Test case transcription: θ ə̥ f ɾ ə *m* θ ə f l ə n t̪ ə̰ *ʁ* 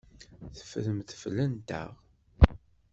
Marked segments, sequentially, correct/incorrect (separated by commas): correct, correct